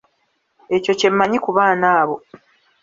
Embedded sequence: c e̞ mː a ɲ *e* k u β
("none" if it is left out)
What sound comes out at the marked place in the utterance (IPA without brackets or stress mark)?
i